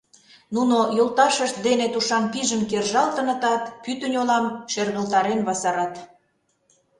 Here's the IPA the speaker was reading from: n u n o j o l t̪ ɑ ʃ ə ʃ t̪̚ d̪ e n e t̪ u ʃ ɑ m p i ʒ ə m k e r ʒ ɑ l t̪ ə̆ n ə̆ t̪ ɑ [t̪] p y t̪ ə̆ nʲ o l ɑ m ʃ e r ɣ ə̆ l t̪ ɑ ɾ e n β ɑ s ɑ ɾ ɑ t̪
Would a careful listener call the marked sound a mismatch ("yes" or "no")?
no